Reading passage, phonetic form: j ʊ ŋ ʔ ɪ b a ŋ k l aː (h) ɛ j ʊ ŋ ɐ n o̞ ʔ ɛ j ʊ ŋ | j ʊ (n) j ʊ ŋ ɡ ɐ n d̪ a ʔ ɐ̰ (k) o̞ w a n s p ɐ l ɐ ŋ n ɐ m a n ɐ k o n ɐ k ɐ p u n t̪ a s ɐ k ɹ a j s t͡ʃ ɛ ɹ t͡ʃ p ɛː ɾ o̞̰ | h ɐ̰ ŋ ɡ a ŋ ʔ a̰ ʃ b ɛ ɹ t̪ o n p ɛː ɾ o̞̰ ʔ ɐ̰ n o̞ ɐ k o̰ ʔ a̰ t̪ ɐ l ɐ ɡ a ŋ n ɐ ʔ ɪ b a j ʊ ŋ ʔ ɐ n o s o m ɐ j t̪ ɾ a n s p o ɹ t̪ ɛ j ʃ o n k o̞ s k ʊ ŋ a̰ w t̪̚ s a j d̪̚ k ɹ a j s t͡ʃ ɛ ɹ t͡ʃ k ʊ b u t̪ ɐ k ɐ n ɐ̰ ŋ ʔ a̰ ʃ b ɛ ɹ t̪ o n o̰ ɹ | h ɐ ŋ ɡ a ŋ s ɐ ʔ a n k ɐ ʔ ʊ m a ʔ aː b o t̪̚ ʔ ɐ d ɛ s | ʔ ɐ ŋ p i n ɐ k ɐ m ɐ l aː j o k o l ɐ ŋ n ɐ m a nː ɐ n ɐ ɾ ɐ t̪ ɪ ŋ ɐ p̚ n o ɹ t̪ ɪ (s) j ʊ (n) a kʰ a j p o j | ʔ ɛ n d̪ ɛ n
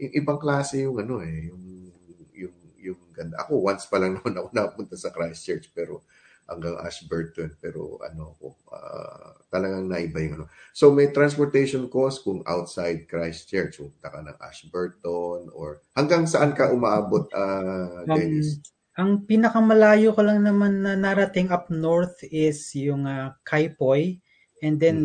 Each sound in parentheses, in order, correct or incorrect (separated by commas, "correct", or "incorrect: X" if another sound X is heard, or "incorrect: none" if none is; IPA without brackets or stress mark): incorrect: s, incorrect: ŋ, correct, correct, incorrect: ŋ